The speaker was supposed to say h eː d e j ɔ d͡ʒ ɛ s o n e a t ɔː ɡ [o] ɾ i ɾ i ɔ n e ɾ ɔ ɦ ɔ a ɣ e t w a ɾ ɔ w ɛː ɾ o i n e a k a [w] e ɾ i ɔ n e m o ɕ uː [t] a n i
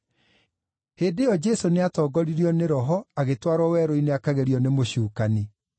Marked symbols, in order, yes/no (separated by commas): no, no, no